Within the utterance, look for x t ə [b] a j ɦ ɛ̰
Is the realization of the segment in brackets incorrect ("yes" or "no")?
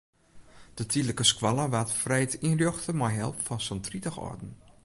yes